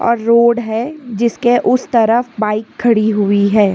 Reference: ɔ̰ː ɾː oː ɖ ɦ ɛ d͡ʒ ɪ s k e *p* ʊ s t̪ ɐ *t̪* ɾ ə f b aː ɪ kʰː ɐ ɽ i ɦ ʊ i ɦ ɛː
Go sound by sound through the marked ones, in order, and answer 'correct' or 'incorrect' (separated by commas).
incorrect, incorrect